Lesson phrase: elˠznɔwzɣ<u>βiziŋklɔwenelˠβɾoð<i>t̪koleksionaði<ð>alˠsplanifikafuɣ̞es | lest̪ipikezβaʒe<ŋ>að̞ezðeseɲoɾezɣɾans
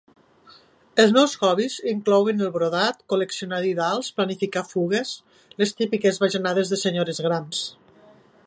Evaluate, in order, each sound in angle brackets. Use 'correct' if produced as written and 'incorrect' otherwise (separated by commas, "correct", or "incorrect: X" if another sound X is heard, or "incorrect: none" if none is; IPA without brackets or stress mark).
incorrect: ɔ, incorrect: a, correct, incorrect: n